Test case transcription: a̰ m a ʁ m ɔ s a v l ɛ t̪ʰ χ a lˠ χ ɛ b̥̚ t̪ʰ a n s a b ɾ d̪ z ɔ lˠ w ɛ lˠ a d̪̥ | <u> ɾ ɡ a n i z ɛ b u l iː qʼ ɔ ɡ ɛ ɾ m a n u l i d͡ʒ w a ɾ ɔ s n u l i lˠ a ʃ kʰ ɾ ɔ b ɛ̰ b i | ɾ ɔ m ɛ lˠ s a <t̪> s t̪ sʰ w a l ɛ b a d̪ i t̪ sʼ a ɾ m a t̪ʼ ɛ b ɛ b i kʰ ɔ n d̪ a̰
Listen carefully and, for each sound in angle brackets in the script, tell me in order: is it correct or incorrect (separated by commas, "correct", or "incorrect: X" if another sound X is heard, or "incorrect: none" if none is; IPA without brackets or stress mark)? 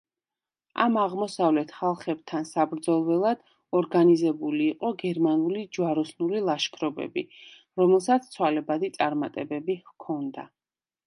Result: incorrect: ɔ, correct